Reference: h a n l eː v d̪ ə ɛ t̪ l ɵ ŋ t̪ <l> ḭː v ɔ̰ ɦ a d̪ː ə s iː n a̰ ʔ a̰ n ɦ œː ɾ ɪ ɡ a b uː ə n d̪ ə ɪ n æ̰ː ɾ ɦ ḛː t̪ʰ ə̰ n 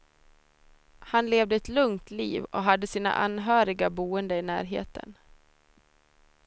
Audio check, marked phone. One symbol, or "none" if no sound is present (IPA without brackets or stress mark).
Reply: l